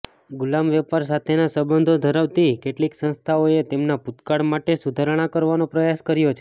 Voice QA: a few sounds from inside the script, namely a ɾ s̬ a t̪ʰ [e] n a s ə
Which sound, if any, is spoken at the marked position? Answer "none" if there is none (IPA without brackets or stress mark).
e